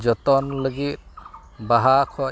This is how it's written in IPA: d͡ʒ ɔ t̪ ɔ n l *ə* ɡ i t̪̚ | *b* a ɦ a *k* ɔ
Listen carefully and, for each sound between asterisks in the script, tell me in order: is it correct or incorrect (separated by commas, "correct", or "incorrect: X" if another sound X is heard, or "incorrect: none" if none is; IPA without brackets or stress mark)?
correct, correct, incorrect: kʰ